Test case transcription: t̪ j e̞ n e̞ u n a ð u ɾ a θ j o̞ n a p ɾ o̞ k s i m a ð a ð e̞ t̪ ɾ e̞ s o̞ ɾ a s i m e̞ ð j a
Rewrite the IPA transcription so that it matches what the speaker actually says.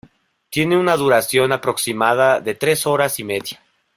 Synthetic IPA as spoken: t̪ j e̞ n e̞ u n a ð u ɾ a s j o̞ n a p ɾ o̞ k s i m a ð a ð e̞ t̪ ɾ e̞ s o̞ ɾ a s i m e̞ ð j a